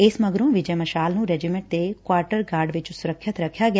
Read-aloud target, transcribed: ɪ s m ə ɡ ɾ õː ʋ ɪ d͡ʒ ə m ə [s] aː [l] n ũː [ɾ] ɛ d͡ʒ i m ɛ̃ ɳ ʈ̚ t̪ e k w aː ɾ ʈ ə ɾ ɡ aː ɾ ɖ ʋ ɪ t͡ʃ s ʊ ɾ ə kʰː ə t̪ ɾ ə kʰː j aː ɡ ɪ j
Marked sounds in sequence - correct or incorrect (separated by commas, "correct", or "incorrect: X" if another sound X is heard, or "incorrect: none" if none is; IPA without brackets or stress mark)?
incorrect: ʃ, correct, correct